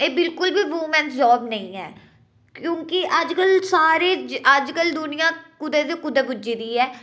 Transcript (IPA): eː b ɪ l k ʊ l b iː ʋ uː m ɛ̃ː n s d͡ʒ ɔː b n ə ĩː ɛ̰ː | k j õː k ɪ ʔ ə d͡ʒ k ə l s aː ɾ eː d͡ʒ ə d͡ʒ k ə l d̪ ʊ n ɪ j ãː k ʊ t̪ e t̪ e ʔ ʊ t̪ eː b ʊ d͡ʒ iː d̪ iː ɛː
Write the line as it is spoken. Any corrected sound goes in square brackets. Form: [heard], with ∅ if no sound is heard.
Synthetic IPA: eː b ɪ l k ʊ l b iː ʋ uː m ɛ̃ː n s d͡ʒ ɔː b n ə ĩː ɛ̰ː | k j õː k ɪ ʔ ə d͡ʒ k ə l s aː ɾ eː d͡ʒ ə d͡ʒ k ə l d̪ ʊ n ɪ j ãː k ʊ [d̪] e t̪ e [k] ʊ [d̪] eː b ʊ d͡ʒ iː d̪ iː ɛː